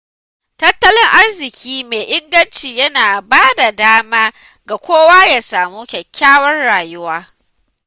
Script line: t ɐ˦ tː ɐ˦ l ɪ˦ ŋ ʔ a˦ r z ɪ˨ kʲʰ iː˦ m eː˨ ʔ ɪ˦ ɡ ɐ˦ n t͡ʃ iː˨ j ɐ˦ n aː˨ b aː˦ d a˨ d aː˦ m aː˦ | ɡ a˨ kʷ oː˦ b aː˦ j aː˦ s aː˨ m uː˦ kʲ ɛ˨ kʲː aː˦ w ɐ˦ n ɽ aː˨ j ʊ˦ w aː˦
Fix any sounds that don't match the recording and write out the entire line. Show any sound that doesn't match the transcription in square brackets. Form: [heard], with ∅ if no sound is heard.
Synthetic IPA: t ɐ˦ tː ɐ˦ l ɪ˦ ŋ ʔ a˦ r z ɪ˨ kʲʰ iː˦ m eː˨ ʔ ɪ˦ ɡ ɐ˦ n t͡ʃ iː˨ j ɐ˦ n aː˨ b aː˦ d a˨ d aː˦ m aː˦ | ɡ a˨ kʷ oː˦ [w] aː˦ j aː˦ s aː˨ m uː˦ kʲ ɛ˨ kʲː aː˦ w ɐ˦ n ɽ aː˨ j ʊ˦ w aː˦